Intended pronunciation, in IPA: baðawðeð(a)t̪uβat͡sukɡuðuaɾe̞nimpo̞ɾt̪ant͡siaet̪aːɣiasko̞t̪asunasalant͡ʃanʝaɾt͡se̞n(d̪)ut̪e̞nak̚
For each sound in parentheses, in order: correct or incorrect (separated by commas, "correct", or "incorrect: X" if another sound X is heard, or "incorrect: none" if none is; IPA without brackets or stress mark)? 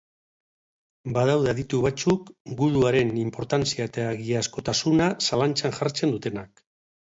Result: incorrect: i, correct